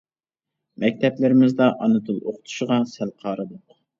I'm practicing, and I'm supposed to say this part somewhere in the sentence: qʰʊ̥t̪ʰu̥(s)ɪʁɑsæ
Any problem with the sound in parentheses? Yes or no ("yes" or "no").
yes